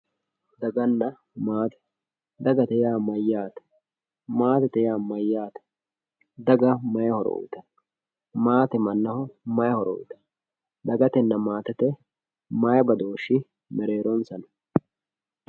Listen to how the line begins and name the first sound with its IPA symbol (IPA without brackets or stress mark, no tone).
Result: d̪